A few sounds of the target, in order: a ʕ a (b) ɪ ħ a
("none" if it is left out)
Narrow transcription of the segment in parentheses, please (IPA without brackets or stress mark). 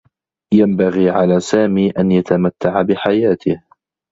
b